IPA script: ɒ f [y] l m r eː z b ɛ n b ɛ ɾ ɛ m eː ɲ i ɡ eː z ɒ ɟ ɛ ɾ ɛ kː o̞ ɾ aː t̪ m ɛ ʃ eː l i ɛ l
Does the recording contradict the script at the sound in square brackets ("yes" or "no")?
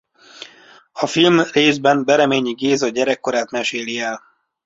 yes